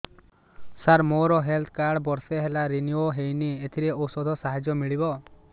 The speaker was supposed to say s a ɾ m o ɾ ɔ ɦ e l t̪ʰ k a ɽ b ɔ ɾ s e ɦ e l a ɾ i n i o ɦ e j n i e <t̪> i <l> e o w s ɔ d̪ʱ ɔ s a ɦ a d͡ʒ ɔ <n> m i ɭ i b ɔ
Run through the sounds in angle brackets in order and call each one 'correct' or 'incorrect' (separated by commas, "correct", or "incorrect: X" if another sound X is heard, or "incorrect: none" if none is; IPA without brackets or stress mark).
incorrect: t̪ʰ, incorrect: ɾ, incorrect: none